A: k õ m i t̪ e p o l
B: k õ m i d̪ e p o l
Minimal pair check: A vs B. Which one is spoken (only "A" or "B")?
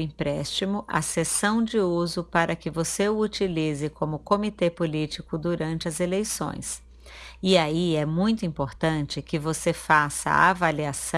A